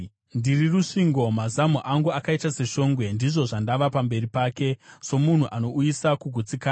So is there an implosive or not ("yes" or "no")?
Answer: no